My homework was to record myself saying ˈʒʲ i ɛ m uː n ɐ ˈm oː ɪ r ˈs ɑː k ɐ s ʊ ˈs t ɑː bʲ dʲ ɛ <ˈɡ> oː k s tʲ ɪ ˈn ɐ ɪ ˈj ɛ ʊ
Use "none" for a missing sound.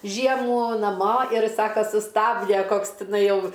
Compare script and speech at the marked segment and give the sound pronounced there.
k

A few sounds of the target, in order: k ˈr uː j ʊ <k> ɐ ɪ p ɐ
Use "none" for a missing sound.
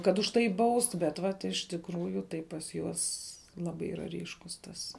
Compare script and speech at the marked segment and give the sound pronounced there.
t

